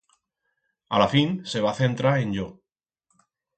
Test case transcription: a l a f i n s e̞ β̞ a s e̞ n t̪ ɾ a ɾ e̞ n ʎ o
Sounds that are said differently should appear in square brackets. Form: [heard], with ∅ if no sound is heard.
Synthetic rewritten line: a l a f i n s e̞ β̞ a [θ] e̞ n t̪ ɾ a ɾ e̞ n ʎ o